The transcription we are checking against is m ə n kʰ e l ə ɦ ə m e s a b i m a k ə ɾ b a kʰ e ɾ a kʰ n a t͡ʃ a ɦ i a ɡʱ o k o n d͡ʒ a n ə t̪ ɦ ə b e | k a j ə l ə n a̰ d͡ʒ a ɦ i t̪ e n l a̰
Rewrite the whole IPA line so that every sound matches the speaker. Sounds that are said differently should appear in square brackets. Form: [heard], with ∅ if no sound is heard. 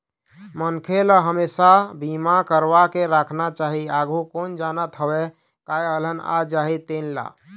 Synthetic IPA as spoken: m ə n kʰ e l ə ɦ ə m e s a b i m a k ə ɾ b a [k] e ɾ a kʰ n a t͡ʃ a ɦ i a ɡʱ [u] k o n d͡ʒ a n ə t̪ ɦ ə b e | k a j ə l ə n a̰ d͡ʒ a ɦ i t̪ e n l a̰